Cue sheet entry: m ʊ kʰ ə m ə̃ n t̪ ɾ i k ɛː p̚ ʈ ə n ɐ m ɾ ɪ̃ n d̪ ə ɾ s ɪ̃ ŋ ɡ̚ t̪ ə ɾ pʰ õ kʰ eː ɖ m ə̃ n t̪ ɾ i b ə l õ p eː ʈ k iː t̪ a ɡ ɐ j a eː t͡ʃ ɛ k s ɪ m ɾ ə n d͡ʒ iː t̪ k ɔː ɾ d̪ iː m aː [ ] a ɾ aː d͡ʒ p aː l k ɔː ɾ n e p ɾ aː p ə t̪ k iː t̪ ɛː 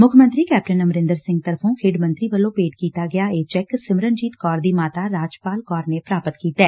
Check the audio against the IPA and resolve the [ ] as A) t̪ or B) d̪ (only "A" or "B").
A